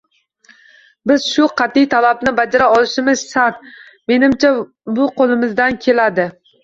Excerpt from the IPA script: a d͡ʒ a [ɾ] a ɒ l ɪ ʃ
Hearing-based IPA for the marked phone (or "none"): ɾ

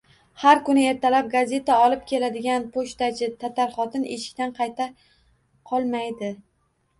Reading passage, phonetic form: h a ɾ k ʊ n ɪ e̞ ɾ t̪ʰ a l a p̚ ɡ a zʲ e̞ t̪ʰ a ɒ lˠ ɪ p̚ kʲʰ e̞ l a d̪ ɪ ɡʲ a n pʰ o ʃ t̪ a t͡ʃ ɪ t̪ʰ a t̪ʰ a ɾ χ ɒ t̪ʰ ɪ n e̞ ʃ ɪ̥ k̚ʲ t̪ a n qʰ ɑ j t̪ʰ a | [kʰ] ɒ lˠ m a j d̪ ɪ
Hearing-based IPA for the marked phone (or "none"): qʰ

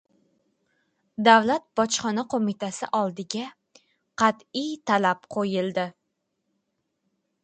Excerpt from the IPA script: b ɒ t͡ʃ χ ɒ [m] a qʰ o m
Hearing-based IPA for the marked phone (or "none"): n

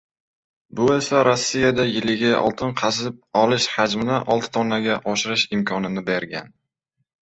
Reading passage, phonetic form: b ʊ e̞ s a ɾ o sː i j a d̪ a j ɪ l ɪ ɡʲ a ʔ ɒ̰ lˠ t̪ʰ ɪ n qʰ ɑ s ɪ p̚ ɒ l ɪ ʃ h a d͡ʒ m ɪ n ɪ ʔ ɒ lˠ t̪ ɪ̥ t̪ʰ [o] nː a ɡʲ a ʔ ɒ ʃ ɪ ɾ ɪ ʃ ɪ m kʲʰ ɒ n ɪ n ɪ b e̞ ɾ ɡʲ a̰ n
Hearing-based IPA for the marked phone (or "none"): ɒ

